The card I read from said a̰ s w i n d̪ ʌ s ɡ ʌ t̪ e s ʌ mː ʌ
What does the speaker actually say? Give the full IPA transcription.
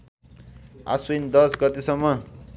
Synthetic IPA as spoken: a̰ s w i n d̪ ʌ s ɡ ʌ t̪ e s ʌ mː ʌ